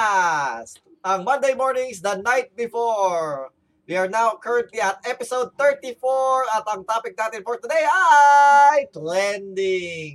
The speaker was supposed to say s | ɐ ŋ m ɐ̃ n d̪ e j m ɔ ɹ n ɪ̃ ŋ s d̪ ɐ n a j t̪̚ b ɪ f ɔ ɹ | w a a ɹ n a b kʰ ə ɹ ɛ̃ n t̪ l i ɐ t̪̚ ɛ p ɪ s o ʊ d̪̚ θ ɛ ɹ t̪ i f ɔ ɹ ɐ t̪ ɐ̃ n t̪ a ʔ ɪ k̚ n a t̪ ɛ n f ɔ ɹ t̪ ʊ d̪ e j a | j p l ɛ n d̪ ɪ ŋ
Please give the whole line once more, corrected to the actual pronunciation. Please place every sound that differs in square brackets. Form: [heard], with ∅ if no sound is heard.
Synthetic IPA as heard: s | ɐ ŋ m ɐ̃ n d̪ e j m ɔ ɹ n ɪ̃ ŋ s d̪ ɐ n a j t̪̚ b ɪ f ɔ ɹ | w [i] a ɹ n a [w] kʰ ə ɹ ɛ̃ n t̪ l i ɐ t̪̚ ɛ p ɪ s o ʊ d̪̚ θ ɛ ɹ t̪ i f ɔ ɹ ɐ t̪ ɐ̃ [ŋ] t̪ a [p] ɪ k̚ n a t̪ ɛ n f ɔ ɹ t̪ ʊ d̪ e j a | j p l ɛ n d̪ ɪ ŋ